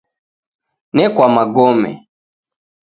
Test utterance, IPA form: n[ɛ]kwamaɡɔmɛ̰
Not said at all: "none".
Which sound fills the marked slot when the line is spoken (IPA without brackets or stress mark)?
ɛ